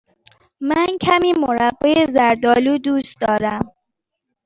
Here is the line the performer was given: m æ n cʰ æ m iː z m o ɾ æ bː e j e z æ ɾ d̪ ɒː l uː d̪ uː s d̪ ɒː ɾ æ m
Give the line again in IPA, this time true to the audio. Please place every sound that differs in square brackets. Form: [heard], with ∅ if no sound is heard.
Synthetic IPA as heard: m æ n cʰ æ m iː [∅] m o ɾ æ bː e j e z æ ɾ d̪ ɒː l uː d̪ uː s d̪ ɒː ɾ æ m